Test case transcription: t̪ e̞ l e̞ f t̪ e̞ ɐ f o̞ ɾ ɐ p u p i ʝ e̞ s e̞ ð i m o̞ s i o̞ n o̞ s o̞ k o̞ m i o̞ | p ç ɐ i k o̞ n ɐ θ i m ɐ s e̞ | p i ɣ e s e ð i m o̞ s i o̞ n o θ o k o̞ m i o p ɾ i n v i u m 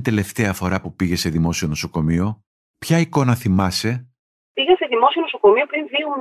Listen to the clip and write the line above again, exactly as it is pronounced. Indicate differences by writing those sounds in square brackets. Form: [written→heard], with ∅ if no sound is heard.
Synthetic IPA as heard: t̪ e̞ l e̞ f t̪ e̞ ɐ f o̞ ɾ ɐ p u p i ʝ e̞ s e̞ ð i m o̞ s i o̞ n o̞ s o̞ k o̞ m i o̞ | p ç ɐ i k o̞ n ɐ θ i m ɐ s e̞ | p i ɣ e s e ð i m o̞ s i o̞ n o [θ→s] o k o̞ m i o p ɾ i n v i u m